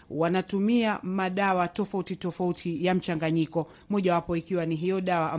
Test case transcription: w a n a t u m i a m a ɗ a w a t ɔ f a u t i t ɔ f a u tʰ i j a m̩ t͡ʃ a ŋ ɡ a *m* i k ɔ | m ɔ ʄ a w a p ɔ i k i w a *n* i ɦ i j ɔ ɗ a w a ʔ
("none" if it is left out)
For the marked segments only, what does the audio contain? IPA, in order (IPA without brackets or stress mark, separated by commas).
ɲ, n